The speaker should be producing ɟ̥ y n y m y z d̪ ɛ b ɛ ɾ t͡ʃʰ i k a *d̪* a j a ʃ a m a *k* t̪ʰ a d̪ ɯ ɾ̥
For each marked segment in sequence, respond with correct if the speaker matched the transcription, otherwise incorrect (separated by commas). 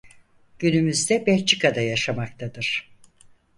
correct, correct